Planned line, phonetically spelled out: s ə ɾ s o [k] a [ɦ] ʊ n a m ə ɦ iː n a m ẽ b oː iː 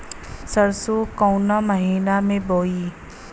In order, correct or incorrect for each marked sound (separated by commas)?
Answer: correct, incorrect